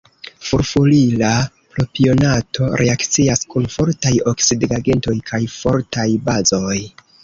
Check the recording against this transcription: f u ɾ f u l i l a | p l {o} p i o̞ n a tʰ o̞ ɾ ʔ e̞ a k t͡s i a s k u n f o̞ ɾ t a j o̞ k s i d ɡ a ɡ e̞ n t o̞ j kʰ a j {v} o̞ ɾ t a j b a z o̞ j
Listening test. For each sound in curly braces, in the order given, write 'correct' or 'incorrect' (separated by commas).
correct, incorrect